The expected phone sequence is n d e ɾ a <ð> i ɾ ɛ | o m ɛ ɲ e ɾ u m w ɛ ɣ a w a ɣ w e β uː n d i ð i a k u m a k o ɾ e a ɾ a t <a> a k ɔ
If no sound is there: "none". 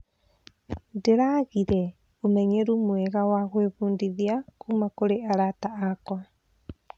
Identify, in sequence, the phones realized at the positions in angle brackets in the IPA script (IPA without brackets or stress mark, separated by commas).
ɣ, a